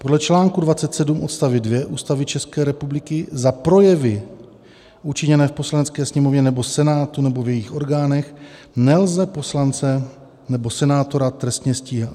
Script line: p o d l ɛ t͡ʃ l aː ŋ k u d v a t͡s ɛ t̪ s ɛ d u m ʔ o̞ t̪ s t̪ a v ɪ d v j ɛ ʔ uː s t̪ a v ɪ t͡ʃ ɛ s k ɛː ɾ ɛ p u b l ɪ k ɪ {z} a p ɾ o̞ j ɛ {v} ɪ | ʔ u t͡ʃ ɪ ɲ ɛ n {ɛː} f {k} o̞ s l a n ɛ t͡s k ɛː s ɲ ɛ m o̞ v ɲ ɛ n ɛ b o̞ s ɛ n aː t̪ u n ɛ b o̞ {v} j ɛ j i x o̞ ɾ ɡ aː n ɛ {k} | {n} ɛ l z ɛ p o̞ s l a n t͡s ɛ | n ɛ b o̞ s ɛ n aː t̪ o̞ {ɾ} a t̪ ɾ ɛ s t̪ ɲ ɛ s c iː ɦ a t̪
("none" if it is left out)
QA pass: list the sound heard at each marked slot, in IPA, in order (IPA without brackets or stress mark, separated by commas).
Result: z, v, ɛː, p, v, x, n, ɾ